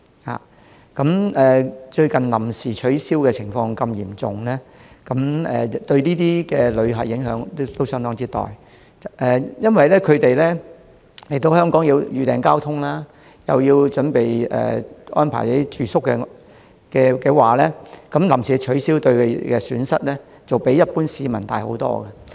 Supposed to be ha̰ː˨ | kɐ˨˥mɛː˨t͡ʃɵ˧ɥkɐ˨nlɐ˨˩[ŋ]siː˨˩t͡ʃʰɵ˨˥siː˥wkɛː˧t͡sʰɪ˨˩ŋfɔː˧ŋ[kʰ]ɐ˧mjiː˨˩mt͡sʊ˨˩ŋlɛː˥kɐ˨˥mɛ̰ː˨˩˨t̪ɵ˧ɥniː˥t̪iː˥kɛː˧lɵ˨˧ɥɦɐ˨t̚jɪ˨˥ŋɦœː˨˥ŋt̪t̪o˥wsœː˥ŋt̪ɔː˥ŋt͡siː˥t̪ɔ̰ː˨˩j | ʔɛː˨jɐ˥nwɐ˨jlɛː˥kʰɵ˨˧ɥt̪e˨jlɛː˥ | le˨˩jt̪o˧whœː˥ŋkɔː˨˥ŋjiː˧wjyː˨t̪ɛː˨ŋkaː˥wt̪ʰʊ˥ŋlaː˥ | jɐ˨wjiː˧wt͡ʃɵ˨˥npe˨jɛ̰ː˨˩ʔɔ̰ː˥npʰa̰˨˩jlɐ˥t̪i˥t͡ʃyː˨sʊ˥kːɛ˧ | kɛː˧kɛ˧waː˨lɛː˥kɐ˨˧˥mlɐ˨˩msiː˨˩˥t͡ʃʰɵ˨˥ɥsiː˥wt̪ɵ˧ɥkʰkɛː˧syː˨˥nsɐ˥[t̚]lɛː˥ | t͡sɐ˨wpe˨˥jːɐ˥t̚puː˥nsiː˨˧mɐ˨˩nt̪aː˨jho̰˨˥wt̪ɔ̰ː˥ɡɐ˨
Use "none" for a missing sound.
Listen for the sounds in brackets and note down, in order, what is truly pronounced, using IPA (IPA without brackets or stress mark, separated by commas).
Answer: m, k, t̚